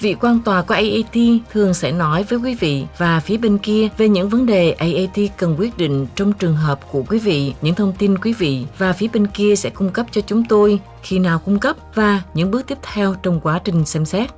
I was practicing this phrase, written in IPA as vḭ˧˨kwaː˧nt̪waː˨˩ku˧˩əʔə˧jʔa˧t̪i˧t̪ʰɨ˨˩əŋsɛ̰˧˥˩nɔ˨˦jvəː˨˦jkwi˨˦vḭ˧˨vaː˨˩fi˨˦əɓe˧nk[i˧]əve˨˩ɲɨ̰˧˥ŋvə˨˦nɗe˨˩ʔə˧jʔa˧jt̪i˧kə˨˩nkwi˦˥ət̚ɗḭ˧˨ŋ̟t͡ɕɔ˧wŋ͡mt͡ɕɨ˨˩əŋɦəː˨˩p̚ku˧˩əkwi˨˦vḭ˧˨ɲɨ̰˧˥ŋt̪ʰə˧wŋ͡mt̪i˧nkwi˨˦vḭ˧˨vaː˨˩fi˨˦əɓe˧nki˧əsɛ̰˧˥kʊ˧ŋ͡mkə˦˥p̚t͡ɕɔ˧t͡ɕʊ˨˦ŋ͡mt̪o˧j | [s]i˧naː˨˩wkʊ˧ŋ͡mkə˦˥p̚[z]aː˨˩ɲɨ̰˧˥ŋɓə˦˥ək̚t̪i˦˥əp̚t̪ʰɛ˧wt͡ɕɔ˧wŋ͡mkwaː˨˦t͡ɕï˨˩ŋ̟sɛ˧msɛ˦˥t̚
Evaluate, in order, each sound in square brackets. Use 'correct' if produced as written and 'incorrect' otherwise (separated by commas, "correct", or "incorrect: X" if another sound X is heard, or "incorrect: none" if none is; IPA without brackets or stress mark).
correct, incorrect: x, incorrect: v